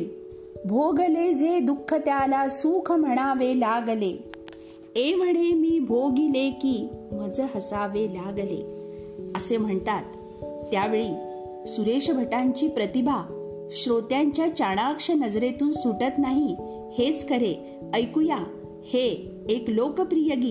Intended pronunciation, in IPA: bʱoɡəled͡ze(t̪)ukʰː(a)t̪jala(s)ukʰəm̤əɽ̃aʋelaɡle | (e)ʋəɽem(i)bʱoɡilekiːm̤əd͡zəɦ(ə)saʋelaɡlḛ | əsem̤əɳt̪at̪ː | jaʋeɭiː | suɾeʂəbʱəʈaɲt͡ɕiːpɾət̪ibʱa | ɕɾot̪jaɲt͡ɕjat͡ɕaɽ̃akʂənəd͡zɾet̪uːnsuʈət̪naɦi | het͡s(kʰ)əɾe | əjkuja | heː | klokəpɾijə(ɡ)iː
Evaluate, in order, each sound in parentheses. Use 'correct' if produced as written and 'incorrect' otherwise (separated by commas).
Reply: incorrect, incorrect, correct, correct, incorrect, correct, incorrect, correct